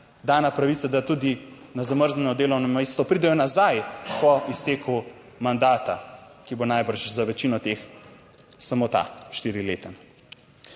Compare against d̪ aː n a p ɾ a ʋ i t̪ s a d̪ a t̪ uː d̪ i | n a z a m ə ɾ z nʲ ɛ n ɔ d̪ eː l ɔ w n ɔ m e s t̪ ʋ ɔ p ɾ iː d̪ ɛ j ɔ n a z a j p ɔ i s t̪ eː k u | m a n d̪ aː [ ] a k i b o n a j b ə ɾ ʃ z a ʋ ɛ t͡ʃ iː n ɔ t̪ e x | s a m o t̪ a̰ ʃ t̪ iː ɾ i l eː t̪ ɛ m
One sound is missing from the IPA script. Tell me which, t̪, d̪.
t̪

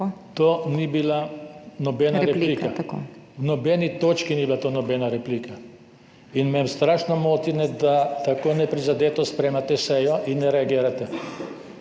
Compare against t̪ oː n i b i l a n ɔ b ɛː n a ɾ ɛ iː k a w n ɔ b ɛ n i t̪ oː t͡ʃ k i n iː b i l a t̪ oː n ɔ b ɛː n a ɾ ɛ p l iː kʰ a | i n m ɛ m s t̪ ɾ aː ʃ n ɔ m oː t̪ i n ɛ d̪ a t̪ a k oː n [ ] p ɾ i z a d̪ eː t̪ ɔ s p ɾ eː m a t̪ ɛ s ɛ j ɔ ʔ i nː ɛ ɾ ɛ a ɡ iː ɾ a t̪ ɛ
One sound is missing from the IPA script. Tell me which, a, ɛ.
ɛ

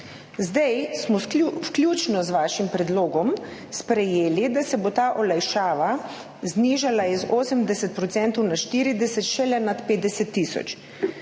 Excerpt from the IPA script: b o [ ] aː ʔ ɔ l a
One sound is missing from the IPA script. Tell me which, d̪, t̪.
t̪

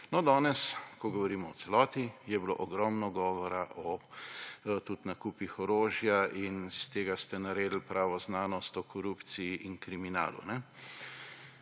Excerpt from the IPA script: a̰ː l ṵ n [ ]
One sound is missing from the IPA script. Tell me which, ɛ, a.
ɛ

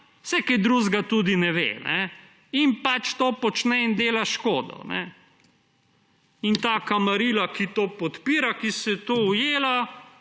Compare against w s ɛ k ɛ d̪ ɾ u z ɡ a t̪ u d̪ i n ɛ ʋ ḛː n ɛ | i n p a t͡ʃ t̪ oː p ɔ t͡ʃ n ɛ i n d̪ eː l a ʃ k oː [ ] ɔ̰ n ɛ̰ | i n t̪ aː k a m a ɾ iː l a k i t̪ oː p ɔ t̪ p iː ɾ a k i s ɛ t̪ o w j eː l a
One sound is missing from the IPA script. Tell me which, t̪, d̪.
d̪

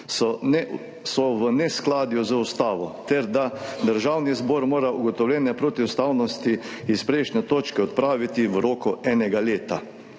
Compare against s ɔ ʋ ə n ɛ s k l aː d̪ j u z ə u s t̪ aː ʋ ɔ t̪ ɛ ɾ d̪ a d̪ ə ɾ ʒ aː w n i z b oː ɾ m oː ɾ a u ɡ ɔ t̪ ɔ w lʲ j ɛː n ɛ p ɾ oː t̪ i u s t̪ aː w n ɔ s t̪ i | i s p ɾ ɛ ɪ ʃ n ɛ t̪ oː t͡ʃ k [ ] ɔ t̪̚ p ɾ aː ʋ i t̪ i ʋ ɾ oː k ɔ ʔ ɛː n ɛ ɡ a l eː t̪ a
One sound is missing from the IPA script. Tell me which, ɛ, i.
ɛ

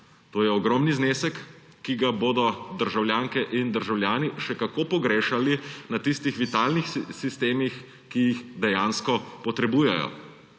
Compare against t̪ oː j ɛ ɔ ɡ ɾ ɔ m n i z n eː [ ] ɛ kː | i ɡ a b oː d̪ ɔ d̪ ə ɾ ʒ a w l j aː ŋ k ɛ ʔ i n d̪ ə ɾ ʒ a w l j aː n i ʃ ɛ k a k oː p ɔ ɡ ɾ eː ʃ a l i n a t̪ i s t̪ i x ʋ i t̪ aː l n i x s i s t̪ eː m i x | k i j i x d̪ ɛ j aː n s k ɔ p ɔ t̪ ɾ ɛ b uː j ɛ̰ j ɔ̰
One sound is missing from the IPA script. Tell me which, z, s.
s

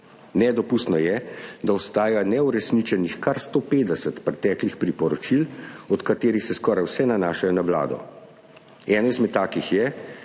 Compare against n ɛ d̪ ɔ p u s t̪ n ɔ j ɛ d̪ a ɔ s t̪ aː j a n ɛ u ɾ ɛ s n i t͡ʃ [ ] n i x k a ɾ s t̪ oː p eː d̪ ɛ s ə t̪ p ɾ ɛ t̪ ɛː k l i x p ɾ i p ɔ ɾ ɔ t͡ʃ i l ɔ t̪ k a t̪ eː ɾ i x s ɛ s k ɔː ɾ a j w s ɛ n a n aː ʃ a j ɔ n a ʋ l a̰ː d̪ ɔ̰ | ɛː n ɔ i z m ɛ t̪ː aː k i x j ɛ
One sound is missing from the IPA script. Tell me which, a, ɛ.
ɛ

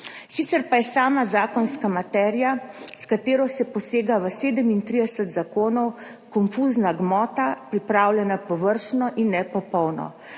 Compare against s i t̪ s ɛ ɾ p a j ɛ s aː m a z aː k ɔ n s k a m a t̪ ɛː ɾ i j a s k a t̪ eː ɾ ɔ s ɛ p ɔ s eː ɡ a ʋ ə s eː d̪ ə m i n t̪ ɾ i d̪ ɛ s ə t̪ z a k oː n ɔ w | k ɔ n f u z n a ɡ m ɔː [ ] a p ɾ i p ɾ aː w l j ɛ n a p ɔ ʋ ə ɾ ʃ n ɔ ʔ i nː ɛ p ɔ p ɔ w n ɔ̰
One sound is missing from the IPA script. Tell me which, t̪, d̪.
t̪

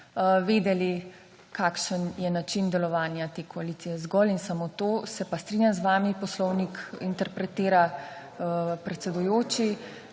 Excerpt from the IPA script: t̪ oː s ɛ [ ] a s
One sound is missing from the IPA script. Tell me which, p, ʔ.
p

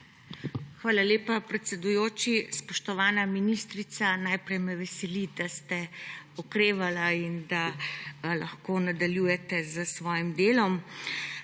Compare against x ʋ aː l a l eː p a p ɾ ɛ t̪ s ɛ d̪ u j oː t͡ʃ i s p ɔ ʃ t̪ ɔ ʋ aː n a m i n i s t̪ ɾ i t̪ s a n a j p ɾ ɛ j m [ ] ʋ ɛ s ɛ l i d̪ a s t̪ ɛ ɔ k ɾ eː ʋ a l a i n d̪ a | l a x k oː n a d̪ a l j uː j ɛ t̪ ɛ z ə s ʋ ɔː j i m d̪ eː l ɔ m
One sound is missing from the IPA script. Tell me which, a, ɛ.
ɛ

